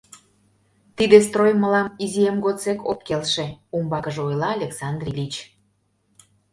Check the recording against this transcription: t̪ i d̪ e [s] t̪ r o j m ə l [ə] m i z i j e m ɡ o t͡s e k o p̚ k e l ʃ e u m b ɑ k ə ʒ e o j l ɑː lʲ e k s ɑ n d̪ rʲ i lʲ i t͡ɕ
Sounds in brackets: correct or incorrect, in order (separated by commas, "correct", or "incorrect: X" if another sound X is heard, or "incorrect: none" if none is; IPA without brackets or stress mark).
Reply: correct, incorrect: ɑ